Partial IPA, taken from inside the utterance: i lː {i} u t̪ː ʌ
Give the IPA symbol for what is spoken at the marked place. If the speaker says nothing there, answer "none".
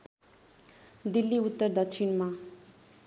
i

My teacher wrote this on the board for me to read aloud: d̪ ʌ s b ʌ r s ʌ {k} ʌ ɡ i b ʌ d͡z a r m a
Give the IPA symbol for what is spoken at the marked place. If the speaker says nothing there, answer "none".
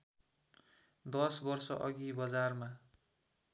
ʔ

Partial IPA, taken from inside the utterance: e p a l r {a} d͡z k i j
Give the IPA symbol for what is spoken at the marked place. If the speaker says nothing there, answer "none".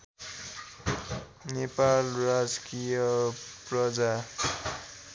a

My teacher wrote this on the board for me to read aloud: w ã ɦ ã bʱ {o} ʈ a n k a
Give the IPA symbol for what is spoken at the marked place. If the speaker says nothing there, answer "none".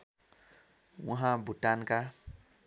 u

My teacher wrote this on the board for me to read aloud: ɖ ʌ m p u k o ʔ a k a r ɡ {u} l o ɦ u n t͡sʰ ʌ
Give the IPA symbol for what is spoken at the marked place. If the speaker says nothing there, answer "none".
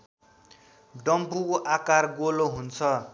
o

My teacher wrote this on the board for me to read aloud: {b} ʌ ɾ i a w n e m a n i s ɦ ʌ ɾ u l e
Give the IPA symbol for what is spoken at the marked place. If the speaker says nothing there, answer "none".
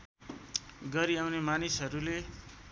ɡ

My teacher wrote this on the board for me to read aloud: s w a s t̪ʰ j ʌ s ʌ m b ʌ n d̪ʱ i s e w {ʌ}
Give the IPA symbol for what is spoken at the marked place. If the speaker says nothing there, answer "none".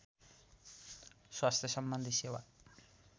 a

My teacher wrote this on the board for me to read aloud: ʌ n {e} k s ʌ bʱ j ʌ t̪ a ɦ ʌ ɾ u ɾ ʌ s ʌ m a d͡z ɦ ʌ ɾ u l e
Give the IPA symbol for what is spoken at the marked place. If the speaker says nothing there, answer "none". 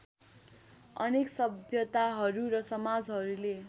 e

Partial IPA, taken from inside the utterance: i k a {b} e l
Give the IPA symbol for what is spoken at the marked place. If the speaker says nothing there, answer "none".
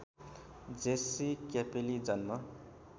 p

